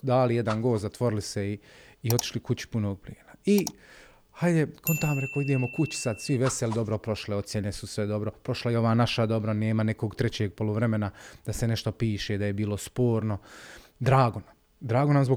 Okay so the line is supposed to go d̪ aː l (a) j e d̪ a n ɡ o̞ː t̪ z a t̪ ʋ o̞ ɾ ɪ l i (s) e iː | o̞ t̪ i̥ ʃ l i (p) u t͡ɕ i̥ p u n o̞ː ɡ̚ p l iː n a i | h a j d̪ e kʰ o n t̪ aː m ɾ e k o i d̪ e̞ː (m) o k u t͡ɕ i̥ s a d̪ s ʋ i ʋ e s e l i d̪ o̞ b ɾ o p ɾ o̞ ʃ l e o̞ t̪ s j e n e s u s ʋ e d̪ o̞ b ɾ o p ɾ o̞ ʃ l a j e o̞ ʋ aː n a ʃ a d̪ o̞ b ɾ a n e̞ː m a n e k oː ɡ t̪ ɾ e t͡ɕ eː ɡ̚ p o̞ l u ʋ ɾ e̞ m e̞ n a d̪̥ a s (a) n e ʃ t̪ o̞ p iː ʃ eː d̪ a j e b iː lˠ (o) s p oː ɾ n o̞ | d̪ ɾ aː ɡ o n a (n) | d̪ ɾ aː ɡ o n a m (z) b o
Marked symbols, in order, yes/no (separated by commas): no, yes, no, yes, no, yes, no, yes